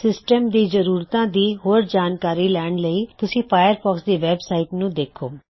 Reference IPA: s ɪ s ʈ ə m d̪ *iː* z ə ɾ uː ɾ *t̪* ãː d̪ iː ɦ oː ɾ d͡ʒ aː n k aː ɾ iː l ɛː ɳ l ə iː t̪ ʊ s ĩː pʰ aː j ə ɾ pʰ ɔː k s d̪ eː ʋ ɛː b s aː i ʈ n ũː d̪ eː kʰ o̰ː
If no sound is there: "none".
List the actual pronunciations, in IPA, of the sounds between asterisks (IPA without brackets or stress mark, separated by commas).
iː, t̪